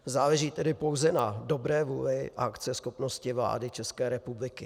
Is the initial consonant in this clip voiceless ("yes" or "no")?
no